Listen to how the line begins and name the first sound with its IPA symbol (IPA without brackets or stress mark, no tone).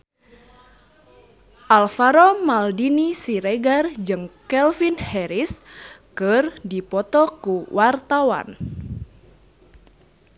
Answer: ʔ